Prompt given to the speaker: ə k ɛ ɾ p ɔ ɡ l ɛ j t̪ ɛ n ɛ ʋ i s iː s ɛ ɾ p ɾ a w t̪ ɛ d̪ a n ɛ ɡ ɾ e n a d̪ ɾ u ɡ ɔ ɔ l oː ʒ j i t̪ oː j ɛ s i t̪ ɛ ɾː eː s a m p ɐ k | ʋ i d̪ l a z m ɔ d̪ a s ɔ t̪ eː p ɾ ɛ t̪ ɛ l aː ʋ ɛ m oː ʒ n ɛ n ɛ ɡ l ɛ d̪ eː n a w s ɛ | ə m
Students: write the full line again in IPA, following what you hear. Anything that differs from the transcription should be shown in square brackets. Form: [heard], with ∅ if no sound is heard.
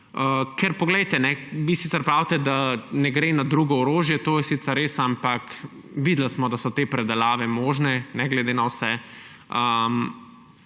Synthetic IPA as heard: ə k ɛ ɾ p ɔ ɡ l ɛ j t̪ ɛ n ɛ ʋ i s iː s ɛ ɾ p ɾ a w t̪ ɛ d̪ a n ɛ ɡ ɾ e n a d̪ ɾ u ɡ ɔ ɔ [ɾ] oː ʒ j [ɛ] t̪ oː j ɛ s i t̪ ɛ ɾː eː s a m p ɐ k | ʋ i d̪ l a [s] m ɔ d̪ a s ɔ t̪ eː p ɾ ɛ [d̪] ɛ l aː ʋ ɛ m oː ʒ n ɛ n ɛ ɡ l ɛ d̪ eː n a w s ɛ | ə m